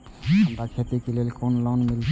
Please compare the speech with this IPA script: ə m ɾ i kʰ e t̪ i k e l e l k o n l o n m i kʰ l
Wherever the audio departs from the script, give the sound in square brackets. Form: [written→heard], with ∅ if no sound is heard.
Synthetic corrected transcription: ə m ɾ [i→a] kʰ e t̪ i k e l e l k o n l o n m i [kʰ→∅] l